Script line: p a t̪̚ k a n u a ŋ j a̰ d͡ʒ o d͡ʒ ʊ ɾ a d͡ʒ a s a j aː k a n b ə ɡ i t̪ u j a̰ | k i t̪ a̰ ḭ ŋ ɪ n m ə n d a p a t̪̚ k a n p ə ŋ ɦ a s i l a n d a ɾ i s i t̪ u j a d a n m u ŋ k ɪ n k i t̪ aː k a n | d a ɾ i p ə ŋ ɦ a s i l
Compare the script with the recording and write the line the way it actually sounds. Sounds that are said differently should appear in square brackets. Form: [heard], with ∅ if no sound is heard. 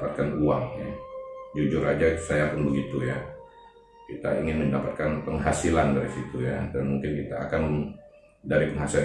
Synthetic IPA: p a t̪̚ k a n u a ŋ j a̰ d͡ʒ [u] d͡ʒ ʊ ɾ a d͡ʒ a s a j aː k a n b ə ɡ i t̪ u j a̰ | k i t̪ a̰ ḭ ŋ ɪ n m ə n d a p a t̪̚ k a n p ə ŋ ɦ a s i l a n d a ɾ i s i t̪ u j a d a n m u ŋ k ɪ n k i t̪ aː k a n | d a ɾ i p ə ŋ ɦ a s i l